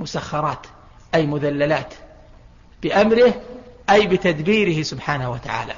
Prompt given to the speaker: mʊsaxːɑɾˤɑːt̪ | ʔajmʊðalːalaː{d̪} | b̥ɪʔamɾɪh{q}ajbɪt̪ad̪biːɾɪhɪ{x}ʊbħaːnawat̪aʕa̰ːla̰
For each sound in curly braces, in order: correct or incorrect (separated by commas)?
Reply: incorrect, incorrect, incorrect